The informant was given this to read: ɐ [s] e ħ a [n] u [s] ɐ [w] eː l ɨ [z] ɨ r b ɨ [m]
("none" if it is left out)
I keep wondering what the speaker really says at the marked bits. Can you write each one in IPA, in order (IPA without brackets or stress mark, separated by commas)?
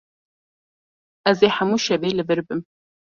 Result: z, m, ʃ, v, v, m